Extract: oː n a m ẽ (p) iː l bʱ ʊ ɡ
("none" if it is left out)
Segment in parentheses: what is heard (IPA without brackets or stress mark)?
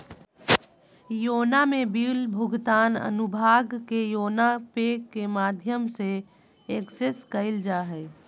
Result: b